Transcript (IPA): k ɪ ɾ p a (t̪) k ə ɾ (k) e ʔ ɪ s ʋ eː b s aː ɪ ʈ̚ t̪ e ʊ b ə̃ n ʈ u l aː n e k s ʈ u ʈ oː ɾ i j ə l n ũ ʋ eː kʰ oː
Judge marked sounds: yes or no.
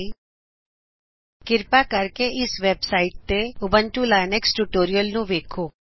no, yes

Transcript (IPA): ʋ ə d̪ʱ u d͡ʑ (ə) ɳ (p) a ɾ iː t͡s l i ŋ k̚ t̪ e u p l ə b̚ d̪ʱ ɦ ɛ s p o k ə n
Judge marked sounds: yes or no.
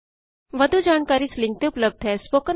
no, no

